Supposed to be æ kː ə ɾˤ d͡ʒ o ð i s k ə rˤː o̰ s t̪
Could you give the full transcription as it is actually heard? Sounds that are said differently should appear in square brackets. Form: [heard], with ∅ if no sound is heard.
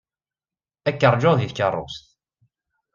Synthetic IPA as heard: æ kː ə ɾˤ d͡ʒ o ð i [θ] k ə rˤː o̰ s t̪